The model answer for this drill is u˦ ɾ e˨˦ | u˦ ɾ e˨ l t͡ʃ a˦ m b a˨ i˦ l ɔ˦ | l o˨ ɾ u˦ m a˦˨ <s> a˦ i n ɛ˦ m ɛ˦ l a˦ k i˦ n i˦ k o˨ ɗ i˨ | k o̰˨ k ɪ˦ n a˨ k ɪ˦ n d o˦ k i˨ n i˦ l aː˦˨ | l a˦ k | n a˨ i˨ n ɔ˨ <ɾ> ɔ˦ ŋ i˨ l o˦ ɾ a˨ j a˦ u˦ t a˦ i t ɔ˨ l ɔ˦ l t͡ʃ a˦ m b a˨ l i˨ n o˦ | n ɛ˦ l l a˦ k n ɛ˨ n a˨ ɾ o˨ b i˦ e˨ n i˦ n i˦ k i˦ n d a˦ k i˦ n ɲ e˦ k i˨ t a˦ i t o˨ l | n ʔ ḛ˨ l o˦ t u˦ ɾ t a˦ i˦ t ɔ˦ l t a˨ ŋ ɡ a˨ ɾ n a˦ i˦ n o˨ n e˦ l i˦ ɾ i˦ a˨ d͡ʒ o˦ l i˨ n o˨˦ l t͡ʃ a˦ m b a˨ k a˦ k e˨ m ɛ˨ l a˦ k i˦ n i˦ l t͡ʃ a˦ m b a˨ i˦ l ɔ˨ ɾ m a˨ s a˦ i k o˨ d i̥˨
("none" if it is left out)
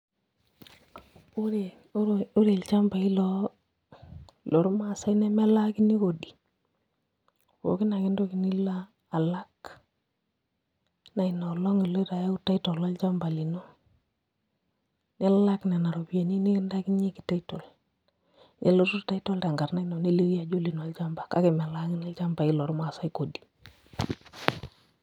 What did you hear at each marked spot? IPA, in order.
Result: s, l

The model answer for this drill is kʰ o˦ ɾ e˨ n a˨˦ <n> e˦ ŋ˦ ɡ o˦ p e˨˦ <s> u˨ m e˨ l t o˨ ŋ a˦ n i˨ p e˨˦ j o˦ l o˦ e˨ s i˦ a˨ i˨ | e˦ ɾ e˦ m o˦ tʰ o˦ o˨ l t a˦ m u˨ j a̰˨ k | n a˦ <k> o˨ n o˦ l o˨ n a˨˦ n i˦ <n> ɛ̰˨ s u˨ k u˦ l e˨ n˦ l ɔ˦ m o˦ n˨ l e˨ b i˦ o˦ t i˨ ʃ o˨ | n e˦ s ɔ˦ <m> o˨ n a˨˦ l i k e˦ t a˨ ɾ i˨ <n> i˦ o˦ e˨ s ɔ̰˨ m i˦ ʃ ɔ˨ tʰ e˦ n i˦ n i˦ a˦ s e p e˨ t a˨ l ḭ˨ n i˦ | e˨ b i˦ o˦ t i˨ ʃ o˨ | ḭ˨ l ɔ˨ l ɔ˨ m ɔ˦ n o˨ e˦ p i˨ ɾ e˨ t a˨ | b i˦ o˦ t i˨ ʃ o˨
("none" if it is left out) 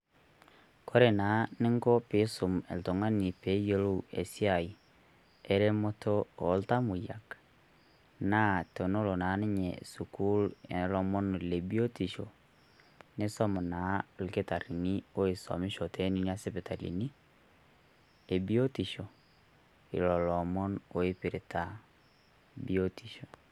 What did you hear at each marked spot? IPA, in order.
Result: n, s, t, ɲ, m, n

